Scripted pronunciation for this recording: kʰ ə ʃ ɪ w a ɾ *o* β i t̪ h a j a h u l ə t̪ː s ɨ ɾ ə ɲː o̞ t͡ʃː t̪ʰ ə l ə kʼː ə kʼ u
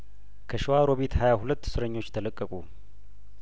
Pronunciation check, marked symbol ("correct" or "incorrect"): correct